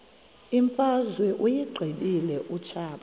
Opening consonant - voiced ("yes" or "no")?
yes